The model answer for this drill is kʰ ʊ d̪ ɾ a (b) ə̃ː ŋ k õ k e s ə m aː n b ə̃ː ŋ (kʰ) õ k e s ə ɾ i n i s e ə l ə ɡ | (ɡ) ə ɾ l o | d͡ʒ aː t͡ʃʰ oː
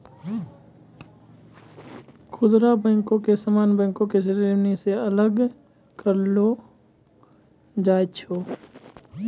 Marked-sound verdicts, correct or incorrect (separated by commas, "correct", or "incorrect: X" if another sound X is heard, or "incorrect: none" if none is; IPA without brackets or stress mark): correct, incorrect: k, incorrect: k